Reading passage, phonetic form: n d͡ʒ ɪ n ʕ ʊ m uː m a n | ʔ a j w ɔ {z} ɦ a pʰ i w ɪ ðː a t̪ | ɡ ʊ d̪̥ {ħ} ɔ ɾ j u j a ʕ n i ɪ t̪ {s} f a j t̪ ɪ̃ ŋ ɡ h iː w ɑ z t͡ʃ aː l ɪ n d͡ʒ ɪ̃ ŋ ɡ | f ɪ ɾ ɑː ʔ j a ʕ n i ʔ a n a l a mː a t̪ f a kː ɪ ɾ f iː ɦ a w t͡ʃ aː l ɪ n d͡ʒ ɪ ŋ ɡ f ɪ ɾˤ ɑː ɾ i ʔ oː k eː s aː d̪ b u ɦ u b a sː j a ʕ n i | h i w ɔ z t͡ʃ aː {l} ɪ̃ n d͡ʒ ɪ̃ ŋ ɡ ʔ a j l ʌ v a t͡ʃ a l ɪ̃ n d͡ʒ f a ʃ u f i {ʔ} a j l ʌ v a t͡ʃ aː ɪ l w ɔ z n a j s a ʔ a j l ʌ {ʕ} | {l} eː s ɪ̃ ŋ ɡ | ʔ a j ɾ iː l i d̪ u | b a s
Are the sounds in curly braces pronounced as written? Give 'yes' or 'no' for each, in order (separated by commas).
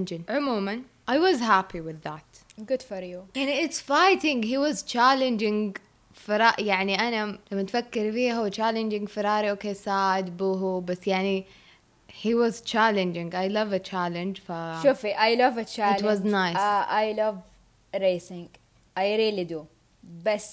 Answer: yes, no, yes, yes, yes, no, no